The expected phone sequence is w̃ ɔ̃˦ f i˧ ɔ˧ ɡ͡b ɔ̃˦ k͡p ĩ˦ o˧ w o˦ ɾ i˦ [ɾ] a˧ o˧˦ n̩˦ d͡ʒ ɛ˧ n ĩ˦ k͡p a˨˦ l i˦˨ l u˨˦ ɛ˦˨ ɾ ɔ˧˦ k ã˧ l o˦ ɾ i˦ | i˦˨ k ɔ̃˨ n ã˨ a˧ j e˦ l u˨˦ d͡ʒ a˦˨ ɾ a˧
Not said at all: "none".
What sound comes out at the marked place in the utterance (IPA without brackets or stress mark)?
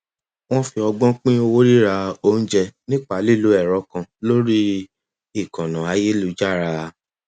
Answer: ɾ